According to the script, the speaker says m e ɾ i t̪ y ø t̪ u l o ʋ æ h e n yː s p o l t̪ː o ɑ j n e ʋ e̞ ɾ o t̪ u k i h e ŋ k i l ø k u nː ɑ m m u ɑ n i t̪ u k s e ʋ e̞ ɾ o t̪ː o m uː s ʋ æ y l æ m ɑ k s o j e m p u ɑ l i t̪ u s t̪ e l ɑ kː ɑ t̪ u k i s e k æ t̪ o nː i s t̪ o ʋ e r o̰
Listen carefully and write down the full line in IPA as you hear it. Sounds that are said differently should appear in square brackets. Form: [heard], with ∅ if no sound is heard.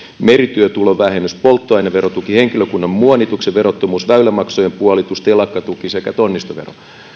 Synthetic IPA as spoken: m e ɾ i t̪ y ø t̪ u l o ʋ æ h e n [y] s p o l t̪ː o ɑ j n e ʋ e̞ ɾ o t̪ u k i h e ŋ k i l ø k u nː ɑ m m u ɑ n i t̪ u k s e ʋ e̞ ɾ o t̪ː o m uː s ʋ æ y l æ m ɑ k s o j e m p u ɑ l i t̪ u s t̪ e l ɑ kː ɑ t̪ u k i s e k æ t̪ o nː i s t̪ o ʋ e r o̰